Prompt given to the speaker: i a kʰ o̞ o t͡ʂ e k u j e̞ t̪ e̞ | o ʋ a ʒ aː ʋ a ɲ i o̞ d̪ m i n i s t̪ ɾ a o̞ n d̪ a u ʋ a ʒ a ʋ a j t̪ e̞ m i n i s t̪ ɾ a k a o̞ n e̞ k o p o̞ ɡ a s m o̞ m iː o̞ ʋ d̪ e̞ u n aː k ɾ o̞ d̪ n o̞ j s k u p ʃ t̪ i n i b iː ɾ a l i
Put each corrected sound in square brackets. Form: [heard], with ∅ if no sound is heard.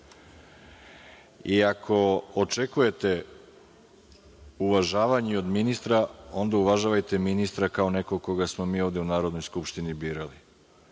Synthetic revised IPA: i a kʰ o̞ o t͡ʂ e k u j e̞ t̪ e̞ | [u] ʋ a ʒ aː ʋ a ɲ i o̞ d̪ m i n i s t̪ ɾ a o̞ n d̪ a u ʋ a ʒ a ʋ a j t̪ e̞ m i n i s t̪ ɾ a k a o̞ n e̞ k o [k] o̞ ɡ a s m o̞ m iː o̞ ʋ d̪ e̞ u n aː [∅] ɾ o̞ d̪ n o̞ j s k u p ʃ t̪ i n i b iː ɾ a l i